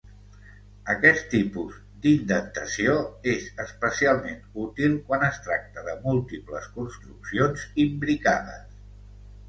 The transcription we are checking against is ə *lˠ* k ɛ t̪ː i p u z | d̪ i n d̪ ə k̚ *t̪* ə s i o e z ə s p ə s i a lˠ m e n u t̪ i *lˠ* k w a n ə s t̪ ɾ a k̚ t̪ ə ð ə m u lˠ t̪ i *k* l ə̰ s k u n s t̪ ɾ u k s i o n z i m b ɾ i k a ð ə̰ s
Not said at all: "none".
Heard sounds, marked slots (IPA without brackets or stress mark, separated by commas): none, t̪, lˠ, p